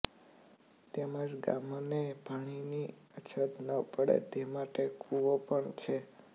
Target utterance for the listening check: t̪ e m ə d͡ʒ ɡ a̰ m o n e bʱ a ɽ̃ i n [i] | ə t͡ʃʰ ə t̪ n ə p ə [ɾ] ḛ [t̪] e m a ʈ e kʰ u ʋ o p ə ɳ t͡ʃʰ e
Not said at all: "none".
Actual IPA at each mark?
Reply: i, ɽ, t̪

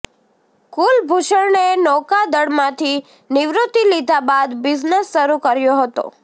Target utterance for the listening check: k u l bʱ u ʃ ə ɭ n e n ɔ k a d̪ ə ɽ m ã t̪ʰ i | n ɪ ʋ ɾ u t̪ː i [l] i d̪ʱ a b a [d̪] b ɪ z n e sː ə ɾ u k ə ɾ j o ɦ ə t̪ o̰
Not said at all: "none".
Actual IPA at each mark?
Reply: l, d̪

